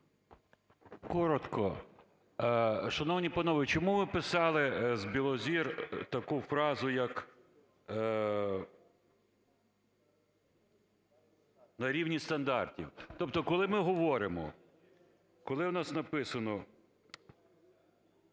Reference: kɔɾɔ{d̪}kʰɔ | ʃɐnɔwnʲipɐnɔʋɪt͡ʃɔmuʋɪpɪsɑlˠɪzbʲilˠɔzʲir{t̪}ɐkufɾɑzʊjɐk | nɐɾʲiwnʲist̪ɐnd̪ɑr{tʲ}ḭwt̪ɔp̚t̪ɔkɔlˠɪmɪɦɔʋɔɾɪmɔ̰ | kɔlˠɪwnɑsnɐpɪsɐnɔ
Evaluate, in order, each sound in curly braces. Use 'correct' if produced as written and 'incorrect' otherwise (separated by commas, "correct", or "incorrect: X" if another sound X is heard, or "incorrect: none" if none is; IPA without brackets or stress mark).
incorrect: t̪, correct, correct